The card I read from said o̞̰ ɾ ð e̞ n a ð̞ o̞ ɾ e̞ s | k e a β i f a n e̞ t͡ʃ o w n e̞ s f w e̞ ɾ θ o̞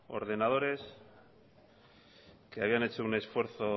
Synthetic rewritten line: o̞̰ ɾ ð e̞ n a ð̞ o̞ ɾ e̞ s | k e a β i a n e̞ t͡ʃ o u n e̞ s f w e̞ ɾ θ o̞